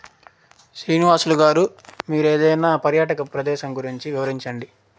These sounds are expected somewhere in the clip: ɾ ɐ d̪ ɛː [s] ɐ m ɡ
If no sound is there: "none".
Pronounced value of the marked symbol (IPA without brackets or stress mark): ʃ